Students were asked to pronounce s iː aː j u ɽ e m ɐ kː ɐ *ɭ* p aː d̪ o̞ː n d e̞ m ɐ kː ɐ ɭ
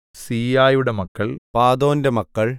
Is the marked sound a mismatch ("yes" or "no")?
no